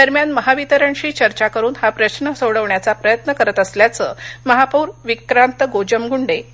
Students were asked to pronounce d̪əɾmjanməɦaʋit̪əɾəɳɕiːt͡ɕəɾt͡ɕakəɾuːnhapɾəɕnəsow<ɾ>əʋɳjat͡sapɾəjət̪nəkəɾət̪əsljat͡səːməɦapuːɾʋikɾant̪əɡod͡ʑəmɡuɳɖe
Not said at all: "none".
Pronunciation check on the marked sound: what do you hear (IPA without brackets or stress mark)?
ɽ